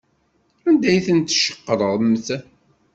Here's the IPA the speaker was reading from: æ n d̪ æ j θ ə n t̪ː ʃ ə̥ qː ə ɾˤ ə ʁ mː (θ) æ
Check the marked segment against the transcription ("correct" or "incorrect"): correct